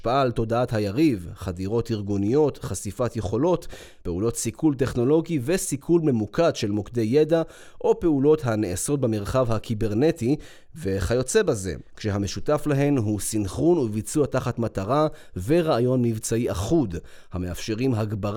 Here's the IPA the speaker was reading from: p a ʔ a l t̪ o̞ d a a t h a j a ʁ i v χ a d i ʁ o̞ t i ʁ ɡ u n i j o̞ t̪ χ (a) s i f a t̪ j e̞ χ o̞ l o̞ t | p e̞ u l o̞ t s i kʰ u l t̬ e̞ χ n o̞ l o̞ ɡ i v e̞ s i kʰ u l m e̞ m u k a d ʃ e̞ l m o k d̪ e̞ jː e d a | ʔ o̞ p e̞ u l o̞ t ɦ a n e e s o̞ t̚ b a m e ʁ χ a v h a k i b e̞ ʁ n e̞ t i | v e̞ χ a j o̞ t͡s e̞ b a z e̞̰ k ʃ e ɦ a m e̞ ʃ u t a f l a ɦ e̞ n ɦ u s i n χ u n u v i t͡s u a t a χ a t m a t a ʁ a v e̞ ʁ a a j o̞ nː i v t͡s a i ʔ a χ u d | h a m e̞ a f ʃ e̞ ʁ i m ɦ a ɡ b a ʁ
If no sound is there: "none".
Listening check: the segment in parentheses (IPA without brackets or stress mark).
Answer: a